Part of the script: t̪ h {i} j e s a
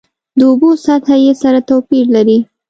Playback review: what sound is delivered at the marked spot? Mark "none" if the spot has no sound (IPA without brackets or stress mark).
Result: a